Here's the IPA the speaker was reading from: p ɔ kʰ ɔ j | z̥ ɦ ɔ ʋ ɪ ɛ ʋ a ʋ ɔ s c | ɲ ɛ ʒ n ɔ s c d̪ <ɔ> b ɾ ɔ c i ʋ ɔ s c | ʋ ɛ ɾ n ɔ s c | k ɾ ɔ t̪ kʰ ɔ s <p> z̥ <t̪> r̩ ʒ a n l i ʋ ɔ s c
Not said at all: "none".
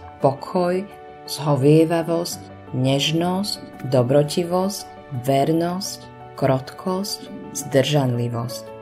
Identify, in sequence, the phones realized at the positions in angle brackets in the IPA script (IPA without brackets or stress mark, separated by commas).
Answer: ɔ, c, d̪